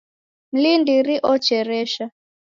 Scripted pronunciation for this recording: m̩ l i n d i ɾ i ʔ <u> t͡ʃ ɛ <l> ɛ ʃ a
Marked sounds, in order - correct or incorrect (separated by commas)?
incorrect, incorrect